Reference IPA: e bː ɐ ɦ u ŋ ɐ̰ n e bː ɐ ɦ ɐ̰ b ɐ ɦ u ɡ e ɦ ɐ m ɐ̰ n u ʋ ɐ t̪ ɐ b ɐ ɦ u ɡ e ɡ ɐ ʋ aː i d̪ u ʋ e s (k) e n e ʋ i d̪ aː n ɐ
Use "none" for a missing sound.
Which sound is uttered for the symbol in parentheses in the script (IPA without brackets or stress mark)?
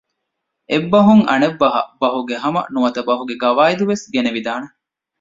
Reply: ɡ